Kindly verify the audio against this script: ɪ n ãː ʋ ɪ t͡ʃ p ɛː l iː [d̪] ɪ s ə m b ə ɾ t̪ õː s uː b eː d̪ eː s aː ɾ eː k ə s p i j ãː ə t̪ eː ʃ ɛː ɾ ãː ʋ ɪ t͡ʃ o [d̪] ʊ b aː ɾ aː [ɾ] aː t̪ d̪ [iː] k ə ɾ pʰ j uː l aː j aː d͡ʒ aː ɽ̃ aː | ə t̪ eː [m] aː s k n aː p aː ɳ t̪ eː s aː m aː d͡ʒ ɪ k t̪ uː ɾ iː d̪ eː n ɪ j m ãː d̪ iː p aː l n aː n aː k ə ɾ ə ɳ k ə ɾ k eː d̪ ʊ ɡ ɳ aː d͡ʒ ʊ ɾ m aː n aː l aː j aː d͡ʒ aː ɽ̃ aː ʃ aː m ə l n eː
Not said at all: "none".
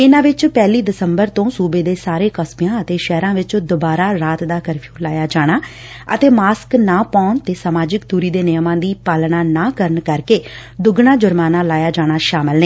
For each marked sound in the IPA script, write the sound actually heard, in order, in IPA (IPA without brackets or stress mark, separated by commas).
d̪, d̪, ɾ, aː, m